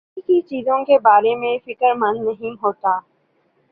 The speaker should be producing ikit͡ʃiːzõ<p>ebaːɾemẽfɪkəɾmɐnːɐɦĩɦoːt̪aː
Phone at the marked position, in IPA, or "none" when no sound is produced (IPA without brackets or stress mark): k